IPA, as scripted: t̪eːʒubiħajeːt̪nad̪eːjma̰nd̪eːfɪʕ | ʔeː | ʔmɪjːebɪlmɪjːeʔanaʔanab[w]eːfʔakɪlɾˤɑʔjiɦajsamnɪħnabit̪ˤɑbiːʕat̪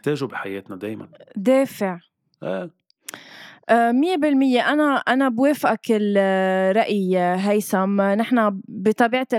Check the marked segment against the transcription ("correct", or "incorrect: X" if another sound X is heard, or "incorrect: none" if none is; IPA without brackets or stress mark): correct